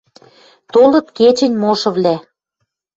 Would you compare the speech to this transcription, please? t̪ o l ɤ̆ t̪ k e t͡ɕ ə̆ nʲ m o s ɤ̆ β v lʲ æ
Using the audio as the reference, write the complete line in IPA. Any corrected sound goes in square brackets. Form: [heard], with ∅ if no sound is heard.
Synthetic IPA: t̪ o l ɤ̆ t̪ k e t͡ɕ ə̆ nʲ m o [ʃ] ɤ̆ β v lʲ æ